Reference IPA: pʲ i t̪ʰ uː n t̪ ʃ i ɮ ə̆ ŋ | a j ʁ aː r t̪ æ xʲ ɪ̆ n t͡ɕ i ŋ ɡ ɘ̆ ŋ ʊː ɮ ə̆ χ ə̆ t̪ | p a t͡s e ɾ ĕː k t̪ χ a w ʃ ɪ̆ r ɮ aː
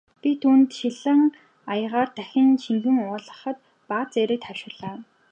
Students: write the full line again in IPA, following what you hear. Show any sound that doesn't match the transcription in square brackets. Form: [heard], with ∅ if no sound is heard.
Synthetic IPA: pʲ i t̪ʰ uː n t̪ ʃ i ɮ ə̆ ŋ | a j ʁ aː r t̪ æ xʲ ɪ̆ n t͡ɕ i ŋ ɡ ɘ̆ ŋ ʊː ɮ ə̆ χ ə̆ t̪ | p a t͡s e ɾ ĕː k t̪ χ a w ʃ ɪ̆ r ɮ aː